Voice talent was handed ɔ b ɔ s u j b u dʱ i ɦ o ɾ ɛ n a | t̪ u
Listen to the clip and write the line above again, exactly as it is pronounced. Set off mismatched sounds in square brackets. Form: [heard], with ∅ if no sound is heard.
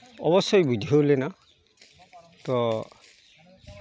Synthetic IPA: ɔ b ɔ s [ɔ] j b u dʱ i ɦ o [l] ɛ n a | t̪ [ɔ]